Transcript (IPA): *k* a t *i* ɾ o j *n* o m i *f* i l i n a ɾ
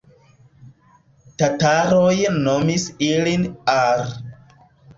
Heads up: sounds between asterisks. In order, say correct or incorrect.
incorrect: t, incorrect: a, correct, incorrect: s

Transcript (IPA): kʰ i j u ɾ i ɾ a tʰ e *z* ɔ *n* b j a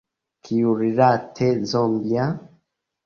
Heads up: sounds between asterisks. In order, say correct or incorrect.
correct, incorrect: m

